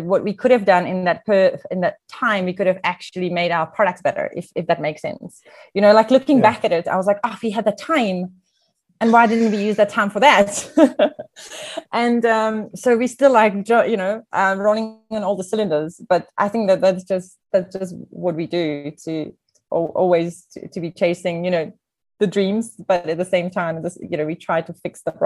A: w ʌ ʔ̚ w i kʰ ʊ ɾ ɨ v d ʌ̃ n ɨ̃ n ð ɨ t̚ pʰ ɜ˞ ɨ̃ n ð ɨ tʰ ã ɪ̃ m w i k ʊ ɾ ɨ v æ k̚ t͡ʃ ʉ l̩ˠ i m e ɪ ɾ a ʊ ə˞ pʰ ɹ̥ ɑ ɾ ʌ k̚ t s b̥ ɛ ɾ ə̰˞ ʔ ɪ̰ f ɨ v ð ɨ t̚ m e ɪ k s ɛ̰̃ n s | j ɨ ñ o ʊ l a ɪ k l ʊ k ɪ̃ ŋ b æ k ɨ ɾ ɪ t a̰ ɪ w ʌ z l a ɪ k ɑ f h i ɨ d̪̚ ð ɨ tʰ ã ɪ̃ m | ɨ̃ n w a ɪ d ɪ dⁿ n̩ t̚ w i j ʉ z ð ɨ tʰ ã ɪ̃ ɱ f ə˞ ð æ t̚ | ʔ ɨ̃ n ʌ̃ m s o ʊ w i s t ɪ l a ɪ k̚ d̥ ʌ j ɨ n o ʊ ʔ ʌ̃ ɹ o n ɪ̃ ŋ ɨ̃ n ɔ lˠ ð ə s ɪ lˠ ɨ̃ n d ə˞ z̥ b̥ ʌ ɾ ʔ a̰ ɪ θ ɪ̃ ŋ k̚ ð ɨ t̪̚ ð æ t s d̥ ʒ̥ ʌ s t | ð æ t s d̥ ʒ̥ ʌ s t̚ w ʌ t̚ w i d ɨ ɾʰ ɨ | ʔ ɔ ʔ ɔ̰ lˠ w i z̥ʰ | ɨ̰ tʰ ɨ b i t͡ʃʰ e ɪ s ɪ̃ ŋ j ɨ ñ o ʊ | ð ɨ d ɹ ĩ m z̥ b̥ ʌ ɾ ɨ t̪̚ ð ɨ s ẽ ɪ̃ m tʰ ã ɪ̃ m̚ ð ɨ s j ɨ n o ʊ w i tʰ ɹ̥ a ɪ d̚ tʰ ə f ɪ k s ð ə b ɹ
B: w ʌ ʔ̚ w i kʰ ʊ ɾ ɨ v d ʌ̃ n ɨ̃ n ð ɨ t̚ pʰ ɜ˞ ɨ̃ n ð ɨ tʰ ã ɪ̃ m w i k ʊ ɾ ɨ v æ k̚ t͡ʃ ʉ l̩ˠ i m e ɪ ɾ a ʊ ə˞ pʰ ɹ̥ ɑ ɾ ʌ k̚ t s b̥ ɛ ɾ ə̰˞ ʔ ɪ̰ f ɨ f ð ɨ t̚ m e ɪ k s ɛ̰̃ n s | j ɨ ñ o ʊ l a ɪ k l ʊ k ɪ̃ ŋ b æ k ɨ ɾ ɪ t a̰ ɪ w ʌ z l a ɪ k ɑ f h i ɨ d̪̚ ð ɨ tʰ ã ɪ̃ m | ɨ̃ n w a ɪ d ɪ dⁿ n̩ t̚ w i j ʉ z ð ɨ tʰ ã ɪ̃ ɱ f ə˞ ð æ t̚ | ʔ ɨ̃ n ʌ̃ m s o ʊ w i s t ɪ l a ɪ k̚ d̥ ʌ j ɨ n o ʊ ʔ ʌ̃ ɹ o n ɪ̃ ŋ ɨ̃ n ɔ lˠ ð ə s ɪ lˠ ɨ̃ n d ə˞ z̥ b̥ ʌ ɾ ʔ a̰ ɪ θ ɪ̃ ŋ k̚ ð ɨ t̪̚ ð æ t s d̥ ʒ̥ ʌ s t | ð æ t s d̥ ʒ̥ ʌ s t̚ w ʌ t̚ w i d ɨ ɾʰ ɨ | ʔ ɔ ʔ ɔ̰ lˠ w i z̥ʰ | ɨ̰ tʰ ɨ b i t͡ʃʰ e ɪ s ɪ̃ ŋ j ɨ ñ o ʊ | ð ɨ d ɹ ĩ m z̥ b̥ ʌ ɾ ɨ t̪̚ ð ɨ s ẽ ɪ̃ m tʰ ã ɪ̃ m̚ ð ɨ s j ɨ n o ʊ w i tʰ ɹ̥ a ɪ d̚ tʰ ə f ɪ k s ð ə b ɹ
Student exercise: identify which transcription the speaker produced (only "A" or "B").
B